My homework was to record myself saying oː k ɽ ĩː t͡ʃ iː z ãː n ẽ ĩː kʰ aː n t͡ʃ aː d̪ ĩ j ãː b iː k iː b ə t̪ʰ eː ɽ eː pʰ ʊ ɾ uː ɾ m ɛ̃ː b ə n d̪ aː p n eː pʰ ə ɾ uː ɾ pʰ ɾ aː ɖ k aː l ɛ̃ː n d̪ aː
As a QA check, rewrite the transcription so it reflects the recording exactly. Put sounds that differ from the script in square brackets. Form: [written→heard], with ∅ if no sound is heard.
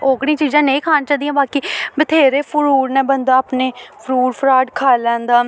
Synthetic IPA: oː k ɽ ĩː t͡ʃ iː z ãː n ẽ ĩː kʰ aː n t͡ʃ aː d̪ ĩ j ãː b [iː→aː] k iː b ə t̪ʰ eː [ɽ→ɾ] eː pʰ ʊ ɾ uː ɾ [m→n] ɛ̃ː b ə n d̪ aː p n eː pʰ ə ɾ uː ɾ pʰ ɾ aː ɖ [k→kʰ] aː l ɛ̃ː n d̪ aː